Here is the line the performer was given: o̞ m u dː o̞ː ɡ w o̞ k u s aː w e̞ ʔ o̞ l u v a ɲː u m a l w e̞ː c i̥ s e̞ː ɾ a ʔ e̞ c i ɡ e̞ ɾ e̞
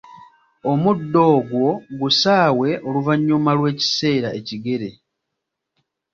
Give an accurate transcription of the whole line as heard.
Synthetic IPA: o̞ m u dː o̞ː ɡ w o̞ ɡ u s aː w e̞ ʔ o̞ l u v a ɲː u m a l w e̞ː c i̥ s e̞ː ɾ a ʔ e̞ c i ɡ e̞ ɾ e̞

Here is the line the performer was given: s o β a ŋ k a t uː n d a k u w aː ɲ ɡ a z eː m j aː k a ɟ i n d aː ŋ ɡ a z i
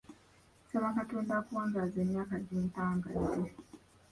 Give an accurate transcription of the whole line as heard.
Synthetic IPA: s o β a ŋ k a t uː n d a k u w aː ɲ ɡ a z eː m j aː k a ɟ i n t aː ŋ ɡ a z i

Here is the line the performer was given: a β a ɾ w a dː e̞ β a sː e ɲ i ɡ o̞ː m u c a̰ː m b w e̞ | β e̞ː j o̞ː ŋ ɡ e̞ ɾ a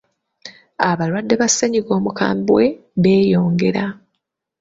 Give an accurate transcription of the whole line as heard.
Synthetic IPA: a β a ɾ w a dː e̞ β a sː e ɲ i ɡ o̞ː m u k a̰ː m b w e̞ | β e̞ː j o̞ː ŋ ɡ e̞ ɾ a

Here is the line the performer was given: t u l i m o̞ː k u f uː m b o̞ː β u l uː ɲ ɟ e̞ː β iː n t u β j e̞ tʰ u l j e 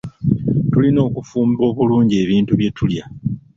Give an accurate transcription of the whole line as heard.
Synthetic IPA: t u l i n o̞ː k u f uː m b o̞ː β u l uː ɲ ɟ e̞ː β iː n t u β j e̞ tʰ u l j a

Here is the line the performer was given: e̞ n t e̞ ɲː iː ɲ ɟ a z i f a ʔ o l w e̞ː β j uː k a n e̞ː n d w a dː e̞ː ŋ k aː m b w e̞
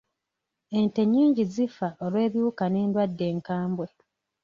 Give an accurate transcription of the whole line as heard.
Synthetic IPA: e̞ n t e̞ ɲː iː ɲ ɟ i z i f a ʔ o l w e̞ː β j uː k a n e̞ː n d w a dː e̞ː ŋ k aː m b w e̞

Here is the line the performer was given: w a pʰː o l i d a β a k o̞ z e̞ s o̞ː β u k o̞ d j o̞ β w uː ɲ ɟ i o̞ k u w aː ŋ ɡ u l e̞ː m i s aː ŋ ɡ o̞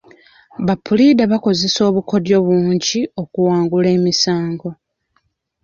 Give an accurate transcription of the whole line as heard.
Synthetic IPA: β a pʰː u l i d a β a k o̞ z e̞ s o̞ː β u k o̞ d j o̞ β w uː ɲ ɟ i o̞ k u w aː ŋ ɡ u l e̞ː m i s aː ŋ ɡ o̞

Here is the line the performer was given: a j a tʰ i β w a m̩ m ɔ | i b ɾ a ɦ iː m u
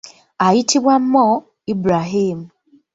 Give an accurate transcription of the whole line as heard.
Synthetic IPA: a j i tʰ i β w a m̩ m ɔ | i b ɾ a ɦ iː m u

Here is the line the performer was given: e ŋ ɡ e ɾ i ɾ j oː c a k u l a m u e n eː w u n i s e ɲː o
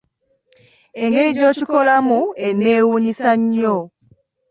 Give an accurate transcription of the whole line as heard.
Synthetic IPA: e ŋ ɡ e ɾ i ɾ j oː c i k o l a m u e n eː w u ɲ i s a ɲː o

